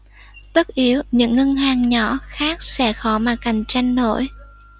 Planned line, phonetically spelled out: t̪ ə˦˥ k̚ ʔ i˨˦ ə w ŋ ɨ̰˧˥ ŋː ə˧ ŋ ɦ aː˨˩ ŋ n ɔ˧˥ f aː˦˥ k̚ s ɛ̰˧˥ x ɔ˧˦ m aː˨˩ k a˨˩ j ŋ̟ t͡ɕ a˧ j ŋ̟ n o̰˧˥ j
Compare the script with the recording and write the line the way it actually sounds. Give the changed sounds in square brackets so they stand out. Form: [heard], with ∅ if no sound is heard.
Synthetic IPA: t̪ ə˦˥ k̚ ʔ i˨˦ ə w [ɲ] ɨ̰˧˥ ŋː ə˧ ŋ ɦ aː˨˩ ŋ [ɲ] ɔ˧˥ [x] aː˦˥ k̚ s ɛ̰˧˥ x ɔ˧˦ m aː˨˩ k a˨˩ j ŋ̟ t͡ɕ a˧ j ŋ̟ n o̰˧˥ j